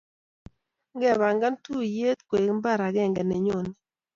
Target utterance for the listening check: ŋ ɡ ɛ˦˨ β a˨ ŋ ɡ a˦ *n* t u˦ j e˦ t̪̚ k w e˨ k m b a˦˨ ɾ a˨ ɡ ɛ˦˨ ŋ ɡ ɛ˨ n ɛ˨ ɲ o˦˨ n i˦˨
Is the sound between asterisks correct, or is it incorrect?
correct